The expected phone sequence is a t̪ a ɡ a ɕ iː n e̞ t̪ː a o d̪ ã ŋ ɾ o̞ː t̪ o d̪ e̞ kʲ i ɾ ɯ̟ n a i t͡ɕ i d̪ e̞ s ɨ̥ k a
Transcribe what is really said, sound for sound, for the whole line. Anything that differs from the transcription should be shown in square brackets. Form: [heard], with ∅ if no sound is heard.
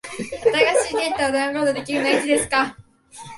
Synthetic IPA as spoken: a t̪ a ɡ a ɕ iː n e̞ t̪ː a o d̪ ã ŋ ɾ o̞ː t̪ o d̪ e̞ kʲ i ɾ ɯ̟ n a i t͡ɕ i d̪ e̞ s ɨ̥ k a